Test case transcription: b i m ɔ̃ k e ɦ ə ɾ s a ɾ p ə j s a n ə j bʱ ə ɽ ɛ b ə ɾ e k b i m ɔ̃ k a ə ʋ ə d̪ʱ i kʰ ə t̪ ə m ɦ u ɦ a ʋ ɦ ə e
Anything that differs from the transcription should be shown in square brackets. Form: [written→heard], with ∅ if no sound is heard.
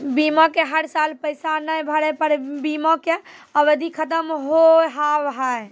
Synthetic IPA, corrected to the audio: b i m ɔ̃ k e ɦ ə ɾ s a [ɾ→l] p ə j s a n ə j bʱ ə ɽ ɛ [b→p] ə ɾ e [k→∅] b i m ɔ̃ k [a→e] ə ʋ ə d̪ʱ i kʰ ə t̪ ə m ɦ [u→o] ɦ a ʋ ɦ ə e